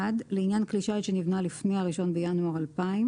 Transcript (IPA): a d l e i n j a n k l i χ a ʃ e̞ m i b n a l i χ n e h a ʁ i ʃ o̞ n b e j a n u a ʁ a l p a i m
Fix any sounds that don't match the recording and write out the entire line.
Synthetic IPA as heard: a d l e i n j a n k l i ʃ a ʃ e̞ n i v n a l i f n e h a ʁ i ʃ o̞ n b e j a n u a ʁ a l p a i m